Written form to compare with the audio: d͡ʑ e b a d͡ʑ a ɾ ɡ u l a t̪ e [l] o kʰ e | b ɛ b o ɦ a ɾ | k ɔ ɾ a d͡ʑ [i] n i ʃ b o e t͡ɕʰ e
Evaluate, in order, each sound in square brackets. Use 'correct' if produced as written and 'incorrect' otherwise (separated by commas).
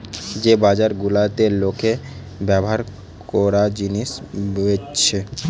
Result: correct, correct